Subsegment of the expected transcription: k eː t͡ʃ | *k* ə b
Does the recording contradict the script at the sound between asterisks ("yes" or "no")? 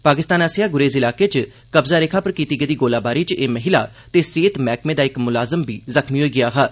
no